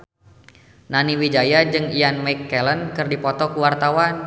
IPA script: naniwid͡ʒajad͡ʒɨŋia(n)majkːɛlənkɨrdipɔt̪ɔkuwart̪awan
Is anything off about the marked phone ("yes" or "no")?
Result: no